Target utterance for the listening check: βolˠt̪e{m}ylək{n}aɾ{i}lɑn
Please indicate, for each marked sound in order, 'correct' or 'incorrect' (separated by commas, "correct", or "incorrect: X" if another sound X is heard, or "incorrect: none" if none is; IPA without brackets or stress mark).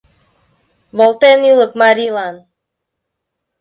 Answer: incorrect: n, incorrect: m, correct